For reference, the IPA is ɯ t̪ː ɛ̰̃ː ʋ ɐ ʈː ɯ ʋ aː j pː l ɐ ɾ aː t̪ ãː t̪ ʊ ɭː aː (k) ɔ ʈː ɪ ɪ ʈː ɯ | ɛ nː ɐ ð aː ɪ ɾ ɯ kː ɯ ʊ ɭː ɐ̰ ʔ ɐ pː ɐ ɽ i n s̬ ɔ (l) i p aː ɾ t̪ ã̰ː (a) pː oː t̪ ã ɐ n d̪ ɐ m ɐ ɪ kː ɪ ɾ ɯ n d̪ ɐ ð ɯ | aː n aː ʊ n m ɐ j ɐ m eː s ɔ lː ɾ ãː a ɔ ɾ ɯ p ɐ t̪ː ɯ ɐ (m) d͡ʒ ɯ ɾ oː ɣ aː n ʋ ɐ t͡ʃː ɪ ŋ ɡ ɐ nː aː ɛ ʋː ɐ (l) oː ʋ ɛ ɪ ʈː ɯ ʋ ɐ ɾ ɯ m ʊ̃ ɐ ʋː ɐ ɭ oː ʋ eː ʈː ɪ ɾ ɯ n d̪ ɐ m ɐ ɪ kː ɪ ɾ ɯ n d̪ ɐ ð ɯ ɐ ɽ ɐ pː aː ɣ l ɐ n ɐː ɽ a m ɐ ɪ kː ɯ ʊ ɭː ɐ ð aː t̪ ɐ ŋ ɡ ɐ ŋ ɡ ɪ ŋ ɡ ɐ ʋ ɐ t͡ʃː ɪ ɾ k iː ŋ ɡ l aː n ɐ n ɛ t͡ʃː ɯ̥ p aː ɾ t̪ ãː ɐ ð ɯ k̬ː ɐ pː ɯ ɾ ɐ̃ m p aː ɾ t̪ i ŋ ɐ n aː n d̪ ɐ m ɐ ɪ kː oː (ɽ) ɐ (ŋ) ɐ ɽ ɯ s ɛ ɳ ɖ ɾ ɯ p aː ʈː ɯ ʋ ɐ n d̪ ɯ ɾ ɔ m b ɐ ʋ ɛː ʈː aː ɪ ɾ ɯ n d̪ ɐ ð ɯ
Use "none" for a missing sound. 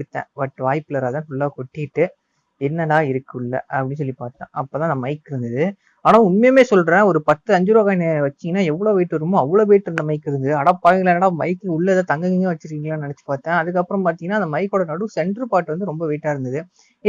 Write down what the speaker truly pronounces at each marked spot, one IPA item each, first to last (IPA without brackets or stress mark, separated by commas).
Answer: k, lː, ɐ, ɲ, ɭ, ɽ, n